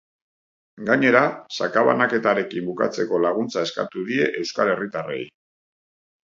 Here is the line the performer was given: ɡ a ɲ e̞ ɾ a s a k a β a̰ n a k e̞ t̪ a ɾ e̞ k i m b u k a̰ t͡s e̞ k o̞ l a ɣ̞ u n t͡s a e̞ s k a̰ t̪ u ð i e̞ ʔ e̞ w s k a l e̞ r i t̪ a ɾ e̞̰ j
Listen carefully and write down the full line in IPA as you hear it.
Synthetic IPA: ɡ a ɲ e̞ ɾ a s a k a β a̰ n a k e̞ t̪ a ɾ e̞ k i m b u k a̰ t͡s e̞ k o̞ l a ɣ̞ u n t͡s a e̞ s k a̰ t̪ u ð i e̞ ʔ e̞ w s k a l e̞ r i t̪ a r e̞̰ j